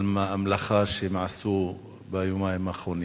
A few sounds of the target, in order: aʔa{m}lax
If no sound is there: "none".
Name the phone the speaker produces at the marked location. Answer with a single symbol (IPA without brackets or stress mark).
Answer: m